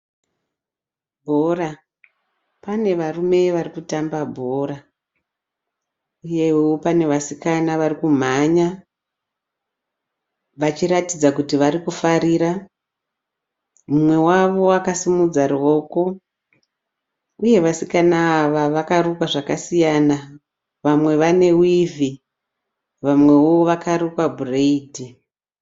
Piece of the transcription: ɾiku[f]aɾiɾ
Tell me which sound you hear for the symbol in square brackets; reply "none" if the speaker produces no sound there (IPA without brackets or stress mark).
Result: f